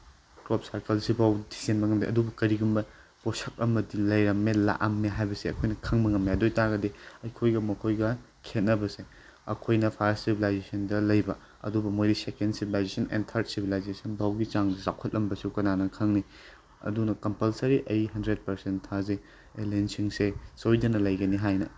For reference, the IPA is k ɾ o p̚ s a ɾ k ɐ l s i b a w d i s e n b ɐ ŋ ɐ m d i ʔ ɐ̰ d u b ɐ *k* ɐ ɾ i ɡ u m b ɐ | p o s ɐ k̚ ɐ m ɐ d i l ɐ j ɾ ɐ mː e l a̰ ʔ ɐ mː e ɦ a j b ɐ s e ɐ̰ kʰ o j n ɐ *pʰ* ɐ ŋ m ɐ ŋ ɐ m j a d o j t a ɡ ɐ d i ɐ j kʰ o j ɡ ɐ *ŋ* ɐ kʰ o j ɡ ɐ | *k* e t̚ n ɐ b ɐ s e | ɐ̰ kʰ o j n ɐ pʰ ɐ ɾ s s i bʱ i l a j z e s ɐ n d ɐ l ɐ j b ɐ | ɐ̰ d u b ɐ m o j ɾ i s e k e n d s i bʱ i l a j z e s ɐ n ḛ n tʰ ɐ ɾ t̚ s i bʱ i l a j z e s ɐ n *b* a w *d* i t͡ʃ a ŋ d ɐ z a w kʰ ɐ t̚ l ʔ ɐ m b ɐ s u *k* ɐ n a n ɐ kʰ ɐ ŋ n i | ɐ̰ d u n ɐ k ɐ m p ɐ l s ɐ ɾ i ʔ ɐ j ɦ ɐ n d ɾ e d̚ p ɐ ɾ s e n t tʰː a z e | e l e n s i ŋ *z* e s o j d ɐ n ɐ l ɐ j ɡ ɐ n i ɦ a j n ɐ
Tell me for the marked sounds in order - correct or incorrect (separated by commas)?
correct, incorrect, incorrect, incorrect, correct, incorrect, correct, incorrect